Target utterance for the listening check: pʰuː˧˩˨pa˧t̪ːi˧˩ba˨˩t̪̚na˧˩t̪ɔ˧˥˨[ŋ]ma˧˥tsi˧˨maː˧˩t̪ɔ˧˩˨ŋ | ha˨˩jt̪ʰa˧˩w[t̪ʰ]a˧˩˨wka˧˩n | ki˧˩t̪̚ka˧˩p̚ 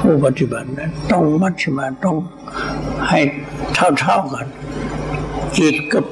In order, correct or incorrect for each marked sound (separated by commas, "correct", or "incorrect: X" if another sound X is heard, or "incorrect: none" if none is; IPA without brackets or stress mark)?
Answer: correct, correct